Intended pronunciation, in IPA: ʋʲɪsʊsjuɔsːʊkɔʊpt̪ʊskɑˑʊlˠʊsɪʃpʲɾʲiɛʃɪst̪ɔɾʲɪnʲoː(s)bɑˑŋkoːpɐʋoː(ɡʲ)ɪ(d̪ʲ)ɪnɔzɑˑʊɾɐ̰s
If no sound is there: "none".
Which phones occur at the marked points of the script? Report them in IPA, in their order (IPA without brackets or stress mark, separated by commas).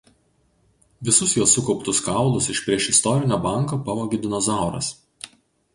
none, ɡʲ, d̪ʲ